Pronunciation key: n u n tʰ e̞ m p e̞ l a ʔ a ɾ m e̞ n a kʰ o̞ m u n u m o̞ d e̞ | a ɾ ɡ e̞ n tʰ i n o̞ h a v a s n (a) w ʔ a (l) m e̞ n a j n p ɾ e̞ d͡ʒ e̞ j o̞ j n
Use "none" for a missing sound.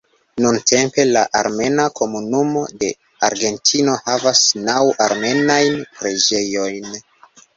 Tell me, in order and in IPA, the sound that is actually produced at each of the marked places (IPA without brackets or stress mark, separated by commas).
a, ɾ